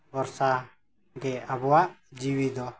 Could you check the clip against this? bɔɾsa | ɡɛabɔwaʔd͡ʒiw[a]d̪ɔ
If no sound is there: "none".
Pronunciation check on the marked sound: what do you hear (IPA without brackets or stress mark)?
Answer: i